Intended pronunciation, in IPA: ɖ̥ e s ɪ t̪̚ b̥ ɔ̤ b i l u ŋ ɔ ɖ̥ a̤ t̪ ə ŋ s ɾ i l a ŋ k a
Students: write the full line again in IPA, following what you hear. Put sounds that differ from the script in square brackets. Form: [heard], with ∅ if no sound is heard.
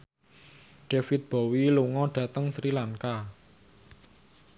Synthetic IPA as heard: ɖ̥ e [f] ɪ t̪̚ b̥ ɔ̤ [w] i l u ŋ ɔ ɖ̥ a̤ t̪ ə ŋ s ɾ i l a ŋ k a